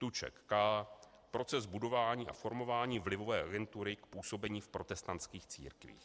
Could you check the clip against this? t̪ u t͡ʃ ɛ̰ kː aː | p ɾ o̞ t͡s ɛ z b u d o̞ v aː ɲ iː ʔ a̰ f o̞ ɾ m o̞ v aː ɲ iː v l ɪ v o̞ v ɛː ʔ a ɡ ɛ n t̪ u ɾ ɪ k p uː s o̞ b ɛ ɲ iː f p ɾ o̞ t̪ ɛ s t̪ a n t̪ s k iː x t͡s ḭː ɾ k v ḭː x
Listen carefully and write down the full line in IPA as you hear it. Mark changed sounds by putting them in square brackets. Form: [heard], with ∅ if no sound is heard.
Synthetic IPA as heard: t̪ u t͡ʃ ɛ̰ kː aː | p ɾ o̞ t͡s ɛ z b u d o̞ v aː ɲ iː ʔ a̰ f o̞ ɾ m o̞ v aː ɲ iː v l ɪ v o̞ v ɛː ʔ a ɡ ɛ n t̪ u ɾ ɪ k p uː s o̞ b ɛ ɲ iː f p ɾ o̞ t̪ ɛ s t̪ a n t̪ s k iː x t͡s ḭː ɾ k v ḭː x